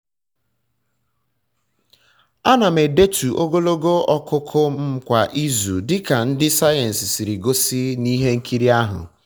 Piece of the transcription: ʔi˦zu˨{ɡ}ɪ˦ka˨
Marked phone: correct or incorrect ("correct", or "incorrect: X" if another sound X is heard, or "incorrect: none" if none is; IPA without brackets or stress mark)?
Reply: incorrect: d